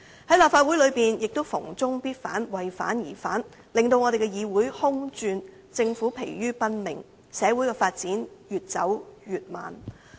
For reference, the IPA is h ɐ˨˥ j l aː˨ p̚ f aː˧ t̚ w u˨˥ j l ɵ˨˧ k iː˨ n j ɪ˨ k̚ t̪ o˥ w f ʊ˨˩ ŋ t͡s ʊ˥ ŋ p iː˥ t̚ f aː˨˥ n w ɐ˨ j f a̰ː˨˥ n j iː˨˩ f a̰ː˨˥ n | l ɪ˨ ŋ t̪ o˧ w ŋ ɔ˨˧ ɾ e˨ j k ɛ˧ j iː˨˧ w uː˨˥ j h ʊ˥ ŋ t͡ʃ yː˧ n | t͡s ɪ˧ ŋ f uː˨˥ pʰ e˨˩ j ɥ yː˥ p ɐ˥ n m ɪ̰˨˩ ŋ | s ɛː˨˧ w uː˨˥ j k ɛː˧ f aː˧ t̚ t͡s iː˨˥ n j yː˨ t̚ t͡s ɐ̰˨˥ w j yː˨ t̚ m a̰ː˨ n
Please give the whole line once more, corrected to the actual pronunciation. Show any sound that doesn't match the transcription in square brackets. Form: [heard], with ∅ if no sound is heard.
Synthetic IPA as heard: h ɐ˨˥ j l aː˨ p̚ f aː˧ t̚ w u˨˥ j l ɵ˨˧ [p] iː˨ n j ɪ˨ k̚ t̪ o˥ w f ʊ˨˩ ŋ t͡s ʊ˥ ŋ p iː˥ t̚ f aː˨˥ n w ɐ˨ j f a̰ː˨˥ n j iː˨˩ f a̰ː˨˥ n | l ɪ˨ ŋ t̪ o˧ w ŋ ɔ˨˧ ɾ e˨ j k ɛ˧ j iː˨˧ w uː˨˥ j h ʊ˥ ŋ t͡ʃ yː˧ n | t͡s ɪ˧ ŋ f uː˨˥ pʰ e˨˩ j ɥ yː˥ p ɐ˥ n m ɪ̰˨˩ ŋ | s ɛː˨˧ w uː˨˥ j k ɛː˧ f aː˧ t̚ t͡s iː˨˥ n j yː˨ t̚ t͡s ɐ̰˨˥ w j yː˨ t̚ m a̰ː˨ n